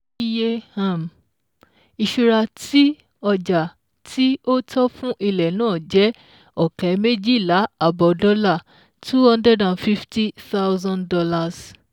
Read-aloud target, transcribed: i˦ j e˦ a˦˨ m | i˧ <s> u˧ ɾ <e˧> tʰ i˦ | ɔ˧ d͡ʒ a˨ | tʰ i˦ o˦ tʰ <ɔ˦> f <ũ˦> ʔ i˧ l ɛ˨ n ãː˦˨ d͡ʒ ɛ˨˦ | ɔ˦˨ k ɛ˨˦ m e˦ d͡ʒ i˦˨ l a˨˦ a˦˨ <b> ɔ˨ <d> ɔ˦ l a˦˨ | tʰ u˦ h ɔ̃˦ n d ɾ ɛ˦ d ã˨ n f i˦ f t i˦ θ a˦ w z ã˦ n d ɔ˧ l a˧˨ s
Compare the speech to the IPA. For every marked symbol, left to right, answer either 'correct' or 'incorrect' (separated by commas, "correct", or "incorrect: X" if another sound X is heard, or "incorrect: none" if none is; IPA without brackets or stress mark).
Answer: incorrect: ʃ, incorrect: a˧, correct, correct, correct, correct